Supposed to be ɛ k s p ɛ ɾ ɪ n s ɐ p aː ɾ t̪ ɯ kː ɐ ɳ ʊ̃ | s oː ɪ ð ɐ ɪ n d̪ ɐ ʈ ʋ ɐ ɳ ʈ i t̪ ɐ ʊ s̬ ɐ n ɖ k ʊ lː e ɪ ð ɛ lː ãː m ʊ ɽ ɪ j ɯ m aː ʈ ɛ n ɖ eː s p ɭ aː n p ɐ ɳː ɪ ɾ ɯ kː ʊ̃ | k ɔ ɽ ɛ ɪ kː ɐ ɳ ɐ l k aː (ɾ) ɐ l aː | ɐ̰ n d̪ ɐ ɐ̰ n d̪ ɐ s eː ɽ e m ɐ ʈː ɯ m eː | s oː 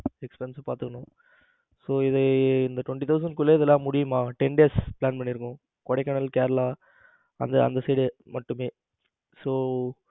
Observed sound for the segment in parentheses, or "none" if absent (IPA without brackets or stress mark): ɾ